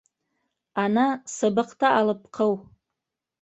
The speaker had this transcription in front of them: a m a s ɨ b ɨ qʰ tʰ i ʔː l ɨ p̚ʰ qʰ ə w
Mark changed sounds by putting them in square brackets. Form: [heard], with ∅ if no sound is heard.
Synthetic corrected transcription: a [n] a s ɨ b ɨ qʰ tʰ [a] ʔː l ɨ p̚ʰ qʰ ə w